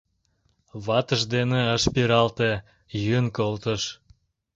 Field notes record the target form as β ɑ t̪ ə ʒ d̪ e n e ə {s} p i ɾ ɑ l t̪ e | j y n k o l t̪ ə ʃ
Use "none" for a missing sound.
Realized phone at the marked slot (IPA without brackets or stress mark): ʃ